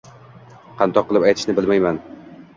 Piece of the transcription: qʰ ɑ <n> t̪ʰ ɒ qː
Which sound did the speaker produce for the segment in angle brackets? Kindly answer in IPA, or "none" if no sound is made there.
n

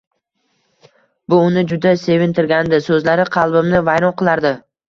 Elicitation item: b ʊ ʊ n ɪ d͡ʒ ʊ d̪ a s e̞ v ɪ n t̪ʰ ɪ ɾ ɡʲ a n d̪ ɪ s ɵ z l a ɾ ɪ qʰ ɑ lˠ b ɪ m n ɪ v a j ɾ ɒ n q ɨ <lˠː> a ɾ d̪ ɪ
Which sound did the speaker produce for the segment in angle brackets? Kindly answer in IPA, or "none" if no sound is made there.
lˠ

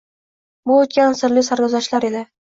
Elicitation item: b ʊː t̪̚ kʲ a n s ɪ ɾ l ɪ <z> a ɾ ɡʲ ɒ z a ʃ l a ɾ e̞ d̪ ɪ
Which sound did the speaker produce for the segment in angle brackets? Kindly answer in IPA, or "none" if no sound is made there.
s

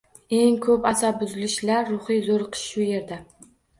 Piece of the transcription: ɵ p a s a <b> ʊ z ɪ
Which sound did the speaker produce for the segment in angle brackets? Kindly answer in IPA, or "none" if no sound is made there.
b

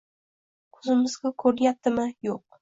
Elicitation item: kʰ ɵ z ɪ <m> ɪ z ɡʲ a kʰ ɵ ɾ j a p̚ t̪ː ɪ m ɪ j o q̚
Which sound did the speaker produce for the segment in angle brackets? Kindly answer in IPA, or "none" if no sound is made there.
m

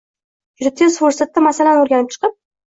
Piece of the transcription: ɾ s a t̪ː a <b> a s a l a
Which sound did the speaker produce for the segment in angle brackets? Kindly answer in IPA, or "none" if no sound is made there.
m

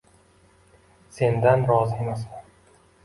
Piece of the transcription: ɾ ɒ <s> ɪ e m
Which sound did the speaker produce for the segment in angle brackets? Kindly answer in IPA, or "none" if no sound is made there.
z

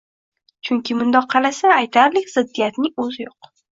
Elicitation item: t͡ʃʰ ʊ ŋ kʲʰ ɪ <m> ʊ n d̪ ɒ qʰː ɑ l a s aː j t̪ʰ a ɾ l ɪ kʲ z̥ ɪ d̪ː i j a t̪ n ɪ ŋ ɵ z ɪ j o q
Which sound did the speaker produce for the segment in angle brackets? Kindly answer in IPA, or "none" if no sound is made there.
m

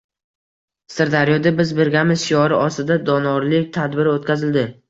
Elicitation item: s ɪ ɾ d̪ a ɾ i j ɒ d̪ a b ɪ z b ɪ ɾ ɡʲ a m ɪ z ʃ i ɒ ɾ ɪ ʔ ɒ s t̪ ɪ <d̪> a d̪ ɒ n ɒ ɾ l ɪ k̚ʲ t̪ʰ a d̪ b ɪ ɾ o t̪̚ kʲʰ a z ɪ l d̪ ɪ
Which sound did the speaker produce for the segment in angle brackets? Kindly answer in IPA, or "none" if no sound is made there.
d̪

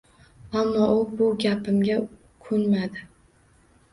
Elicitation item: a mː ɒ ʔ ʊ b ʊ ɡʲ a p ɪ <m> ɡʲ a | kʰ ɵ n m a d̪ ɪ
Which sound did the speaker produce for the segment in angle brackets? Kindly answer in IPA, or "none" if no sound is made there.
m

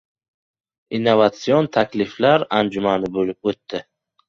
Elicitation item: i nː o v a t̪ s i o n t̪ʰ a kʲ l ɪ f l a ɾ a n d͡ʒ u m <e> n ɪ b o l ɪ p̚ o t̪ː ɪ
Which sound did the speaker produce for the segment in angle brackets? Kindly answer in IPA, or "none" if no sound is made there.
a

